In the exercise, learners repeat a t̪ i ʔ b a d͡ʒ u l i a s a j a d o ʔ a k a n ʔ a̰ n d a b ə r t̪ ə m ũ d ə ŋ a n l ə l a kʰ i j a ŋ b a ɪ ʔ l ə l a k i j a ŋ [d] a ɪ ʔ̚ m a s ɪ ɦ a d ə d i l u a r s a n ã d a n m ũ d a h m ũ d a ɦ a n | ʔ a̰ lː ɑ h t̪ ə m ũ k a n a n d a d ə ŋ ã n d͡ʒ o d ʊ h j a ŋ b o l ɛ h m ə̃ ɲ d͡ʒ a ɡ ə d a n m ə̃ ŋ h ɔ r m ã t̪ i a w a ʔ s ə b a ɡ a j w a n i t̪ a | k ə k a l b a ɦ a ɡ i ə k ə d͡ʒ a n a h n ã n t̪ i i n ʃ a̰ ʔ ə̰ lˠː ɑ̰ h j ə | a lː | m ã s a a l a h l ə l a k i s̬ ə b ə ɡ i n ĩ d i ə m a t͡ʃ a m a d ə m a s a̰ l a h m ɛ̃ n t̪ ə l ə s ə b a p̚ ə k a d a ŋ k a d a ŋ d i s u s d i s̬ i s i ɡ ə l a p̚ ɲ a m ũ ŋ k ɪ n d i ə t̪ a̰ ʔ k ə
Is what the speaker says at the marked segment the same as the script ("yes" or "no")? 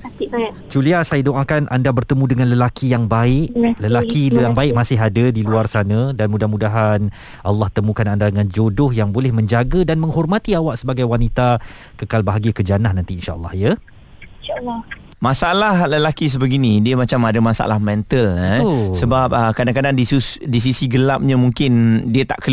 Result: no